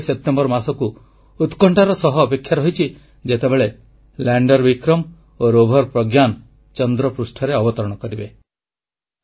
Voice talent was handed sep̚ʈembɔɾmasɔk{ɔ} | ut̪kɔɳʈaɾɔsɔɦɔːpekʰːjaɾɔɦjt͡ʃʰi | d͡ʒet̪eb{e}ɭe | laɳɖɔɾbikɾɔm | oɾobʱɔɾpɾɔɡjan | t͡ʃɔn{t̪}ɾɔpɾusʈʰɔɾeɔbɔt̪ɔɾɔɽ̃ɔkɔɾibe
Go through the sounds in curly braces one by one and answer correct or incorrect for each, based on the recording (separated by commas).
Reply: incorrect, correct, incorrect